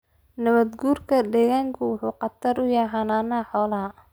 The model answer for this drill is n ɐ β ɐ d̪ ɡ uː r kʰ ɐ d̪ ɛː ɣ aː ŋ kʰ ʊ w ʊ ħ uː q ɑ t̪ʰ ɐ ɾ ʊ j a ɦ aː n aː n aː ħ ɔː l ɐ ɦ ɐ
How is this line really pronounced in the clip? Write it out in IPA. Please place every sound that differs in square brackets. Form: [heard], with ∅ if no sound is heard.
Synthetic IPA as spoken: n ɐ β ɐ d̪ ɡ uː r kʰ ɐ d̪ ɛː ɣ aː ŋ kʰ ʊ w ʊ ħ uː q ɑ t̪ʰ ɐ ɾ ʊ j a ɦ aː n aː n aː ħ ɔː l ɐ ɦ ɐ